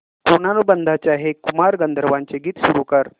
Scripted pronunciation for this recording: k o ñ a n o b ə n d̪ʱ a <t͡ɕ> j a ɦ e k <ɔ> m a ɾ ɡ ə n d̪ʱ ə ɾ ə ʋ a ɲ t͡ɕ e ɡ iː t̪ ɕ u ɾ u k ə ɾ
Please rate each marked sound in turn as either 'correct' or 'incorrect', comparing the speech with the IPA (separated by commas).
correct, incorrect